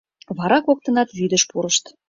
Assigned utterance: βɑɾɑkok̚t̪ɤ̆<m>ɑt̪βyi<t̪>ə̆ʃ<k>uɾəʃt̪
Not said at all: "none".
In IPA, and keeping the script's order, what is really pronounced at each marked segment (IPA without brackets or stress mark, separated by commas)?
n, d̪, p